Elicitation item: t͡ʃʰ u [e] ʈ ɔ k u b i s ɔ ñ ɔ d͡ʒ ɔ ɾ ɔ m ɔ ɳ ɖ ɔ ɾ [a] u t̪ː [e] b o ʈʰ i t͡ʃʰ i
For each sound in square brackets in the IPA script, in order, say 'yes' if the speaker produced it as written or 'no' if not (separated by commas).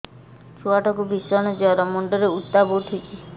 no, no, no